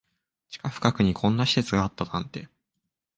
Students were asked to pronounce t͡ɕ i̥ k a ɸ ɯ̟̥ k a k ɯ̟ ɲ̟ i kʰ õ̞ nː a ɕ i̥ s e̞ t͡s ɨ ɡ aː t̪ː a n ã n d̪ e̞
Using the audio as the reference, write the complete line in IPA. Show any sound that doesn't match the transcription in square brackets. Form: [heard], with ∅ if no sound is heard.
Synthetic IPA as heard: t͡ɕ i̥ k a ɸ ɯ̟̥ k a k ɯ̟ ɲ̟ i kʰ õ̞ nː a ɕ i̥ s e̞ t͡s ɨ ɡ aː t̪ː a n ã n [t̪] e̞